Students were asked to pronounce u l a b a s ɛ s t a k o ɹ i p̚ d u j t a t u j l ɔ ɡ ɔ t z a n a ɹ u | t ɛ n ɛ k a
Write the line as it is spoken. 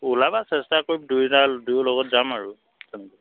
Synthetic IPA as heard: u l a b a s ɛ s t a k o ɹ i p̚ d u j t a d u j l ɔ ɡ ɔ t z a m a ɹ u | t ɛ n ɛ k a